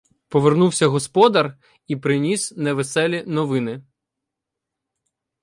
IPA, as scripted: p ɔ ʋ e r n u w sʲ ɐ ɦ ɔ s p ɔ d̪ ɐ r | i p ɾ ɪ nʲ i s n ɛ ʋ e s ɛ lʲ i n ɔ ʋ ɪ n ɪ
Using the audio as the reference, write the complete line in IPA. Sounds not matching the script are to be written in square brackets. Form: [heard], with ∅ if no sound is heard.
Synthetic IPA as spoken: p ɔ ʋ e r n u w sʲ ɐ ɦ ɔ s p ɔ d̪ ɐ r | i p ɾ ɪ nʲ i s n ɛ ʋ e s ɛ lʲ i n ɔ ʋ ɪ n ɪ

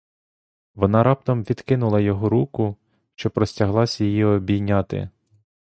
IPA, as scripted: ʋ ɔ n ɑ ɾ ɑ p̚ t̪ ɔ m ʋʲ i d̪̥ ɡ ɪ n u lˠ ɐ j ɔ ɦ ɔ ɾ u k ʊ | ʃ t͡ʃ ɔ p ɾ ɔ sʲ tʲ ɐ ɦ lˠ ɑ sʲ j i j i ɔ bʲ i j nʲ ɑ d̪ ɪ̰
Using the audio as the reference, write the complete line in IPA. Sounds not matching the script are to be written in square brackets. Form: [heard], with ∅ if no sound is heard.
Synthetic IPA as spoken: ʋ ɔ n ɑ ɾ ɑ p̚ t̪ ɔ m ʋʲ i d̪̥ [k] ɪ n [ʊ] lˠ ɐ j ɔ ɦ ɔ ɾ u k ʊ | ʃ t͡ʃ ɔ p ɾ ɔ sʲ tʲ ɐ ɦ lˠ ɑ sʲ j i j i ɔ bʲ i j nʲ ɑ [t̪] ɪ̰

